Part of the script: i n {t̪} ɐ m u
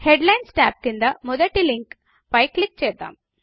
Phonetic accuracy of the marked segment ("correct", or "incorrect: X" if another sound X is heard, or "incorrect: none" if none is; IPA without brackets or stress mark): incorrect: d̪